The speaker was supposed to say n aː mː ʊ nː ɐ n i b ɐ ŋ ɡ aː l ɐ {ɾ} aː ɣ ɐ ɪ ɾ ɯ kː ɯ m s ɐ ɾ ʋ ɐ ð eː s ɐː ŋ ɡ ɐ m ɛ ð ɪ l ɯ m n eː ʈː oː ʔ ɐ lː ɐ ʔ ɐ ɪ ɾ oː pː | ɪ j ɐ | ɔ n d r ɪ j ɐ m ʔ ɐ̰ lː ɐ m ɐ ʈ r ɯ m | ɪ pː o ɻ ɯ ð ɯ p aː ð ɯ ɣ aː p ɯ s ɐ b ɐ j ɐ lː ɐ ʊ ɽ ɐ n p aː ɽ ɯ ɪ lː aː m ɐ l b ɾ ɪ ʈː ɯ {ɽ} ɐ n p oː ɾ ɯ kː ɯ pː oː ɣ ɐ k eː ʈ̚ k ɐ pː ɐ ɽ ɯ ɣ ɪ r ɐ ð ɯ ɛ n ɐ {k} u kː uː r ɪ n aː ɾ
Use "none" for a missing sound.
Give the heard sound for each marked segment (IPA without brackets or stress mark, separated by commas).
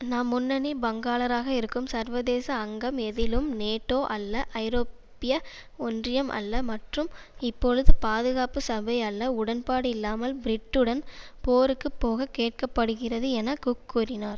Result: ɾ, ɽ, k